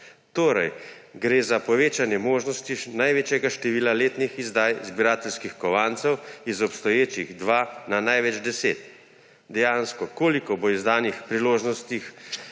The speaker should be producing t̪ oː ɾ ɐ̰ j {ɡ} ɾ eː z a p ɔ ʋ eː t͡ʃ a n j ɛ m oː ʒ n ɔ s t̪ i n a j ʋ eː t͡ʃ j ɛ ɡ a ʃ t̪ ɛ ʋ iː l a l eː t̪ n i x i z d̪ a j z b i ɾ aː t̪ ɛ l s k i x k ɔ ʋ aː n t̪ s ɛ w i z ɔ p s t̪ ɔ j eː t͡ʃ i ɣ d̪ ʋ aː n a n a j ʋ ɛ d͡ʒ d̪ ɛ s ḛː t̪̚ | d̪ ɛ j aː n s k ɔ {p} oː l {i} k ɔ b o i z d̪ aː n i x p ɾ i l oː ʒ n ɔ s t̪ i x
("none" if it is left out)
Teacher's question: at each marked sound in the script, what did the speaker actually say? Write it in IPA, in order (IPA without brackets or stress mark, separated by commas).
ɡ, k, i